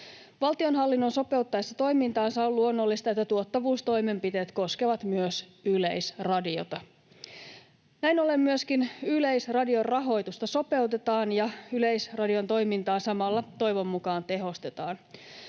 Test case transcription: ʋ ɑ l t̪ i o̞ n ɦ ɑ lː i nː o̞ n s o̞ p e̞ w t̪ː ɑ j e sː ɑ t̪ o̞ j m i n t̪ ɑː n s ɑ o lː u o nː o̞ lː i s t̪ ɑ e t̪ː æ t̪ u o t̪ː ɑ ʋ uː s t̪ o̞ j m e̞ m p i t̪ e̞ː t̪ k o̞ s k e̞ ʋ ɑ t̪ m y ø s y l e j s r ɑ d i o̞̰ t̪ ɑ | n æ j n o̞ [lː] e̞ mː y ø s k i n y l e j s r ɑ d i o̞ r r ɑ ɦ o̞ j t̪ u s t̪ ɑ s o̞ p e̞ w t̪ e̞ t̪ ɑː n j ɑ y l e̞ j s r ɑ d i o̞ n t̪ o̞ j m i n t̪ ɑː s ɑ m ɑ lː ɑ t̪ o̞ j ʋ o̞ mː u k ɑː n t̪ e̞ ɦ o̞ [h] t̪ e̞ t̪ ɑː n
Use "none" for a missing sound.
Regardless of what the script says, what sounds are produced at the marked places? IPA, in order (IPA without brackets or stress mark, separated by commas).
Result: l, s